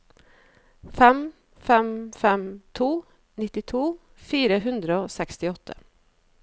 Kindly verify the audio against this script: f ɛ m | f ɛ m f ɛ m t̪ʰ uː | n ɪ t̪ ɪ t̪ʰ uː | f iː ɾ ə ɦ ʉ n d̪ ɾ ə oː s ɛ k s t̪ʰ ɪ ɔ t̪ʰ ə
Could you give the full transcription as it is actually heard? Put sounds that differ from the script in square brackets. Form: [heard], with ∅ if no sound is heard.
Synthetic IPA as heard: f ɛ m | f ɛ m f ɛ m t̪ʰ uː | n ɪ t̪ ɪ t̪ʰ uː | f iː ɾ ə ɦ ʉ n d̪ ɾ ə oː s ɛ k s [t̪] ɪ ɔ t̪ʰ ə